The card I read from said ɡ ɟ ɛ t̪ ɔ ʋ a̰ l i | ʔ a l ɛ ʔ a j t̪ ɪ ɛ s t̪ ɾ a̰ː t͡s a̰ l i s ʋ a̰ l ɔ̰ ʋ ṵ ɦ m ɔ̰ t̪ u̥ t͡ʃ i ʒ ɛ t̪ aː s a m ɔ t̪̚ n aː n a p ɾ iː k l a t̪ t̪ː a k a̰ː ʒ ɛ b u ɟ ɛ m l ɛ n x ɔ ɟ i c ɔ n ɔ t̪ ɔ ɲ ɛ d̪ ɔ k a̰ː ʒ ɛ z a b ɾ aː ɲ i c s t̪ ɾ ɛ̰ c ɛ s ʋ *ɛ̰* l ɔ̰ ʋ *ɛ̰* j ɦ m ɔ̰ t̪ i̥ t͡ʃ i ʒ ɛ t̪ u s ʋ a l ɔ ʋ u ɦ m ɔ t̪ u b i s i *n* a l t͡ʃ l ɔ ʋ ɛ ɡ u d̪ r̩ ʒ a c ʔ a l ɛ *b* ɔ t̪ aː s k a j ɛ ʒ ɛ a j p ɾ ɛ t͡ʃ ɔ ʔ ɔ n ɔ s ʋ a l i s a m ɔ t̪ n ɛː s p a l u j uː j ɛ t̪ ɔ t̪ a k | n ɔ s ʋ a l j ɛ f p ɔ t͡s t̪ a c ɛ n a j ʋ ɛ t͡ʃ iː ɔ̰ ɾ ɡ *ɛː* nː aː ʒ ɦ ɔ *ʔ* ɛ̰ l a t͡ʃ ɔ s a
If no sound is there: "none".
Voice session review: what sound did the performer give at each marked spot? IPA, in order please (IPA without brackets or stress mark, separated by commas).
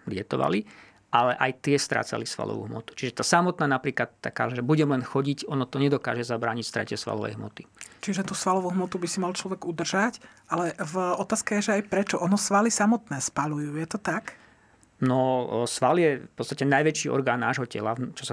a̰, ɛ̰, m, v, aː, c